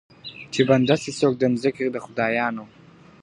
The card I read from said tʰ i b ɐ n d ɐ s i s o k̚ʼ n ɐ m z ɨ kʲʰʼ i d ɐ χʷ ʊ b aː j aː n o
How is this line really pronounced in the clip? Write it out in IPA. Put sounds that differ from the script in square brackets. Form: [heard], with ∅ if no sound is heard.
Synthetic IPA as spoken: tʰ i b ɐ n d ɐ s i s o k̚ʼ [d] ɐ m z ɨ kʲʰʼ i d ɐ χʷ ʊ [d] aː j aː n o